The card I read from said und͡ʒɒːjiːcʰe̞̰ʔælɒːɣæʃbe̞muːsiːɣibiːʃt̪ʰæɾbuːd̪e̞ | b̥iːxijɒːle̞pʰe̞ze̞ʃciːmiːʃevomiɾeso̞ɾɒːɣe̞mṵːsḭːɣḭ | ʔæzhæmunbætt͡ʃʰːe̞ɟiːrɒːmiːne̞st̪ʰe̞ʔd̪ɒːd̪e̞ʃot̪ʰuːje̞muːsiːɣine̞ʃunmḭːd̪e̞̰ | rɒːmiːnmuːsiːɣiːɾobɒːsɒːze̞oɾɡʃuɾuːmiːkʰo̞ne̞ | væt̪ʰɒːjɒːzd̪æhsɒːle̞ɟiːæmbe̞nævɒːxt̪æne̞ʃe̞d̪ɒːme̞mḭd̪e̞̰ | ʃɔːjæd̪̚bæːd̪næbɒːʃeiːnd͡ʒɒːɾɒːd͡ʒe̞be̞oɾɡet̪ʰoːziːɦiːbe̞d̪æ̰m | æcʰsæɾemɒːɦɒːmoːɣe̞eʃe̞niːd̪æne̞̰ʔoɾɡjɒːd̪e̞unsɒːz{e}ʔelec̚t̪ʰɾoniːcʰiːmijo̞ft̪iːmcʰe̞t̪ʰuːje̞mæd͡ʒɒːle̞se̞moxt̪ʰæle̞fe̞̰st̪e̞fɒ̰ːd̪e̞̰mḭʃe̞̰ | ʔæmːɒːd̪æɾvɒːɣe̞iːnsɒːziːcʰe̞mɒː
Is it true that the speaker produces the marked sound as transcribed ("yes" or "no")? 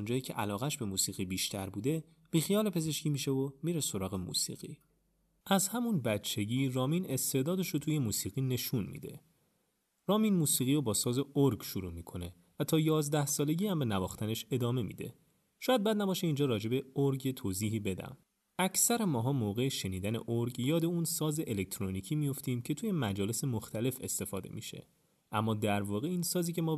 yes